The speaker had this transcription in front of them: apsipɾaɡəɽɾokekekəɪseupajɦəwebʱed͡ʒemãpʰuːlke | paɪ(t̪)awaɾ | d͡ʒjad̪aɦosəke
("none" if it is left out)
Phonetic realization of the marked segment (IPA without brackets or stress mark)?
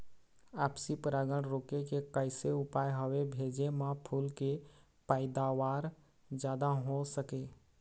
d̪